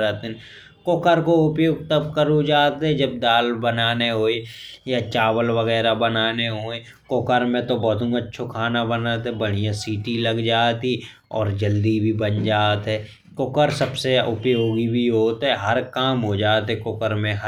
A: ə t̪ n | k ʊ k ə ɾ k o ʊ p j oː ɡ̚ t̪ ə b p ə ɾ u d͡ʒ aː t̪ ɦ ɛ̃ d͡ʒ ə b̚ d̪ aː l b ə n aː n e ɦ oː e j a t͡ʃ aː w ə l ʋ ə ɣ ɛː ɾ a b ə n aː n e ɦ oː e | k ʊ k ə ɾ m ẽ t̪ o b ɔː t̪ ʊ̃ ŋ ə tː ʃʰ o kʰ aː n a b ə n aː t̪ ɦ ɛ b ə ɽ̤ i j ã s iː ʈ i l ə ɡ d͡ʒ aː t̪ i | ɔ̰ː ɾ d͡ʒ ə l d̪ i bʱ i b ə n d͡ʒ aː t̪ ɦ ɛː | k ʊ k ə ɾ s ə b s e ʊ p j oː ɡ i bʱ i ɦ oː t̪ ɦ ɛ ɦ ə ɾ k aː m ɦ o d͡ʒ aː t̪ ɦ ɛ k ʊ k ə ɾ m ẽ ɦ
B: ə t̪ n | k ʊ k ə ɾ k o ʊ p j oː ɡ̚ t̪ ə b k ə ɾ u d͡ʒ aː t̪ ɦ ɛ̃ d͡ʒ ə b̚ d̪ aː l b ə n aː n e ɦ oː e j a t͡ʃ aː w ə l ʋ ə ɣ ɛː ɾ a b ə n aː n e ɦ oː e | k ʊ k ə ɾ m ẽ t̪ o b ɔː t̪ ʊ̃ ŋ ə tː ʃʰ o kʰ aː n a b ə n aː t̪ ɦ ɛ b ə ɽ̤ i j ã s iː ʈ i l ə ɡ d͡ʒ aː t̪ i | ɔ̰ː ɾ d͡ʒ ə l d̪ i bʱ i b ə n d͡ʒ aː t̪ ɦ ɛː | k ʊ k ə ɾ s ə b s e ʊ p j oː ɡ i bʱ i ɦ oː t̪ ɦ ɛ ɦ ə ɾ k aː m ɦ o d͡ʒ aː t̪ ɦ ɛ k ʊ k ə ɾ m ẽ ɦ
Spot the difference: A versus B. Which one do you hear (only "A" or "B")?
B